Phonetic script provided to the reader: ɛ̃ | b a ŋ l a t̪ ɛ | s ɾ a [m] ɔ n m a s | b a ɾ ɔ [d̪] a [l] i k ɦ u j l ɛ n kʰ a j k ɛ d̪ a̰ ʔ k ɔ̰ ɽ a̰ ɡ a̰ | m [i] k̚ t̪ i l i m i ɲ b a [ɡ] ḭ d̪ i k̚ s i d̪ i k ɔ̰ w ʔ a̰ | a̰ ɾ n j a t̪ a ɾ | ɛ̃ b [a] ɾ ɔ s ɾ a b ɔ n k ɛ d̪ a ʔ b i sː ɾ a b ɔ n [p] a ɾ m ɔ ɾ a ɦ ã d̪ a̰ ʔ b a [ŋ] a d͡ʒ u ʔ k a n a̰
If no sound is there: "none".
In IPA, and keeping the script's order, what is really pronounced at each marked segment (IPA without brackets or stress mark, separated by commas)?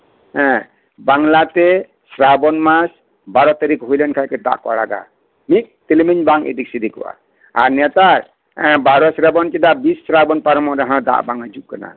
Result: b, t̪, ɾ, i, ŋ, a, p, ŋ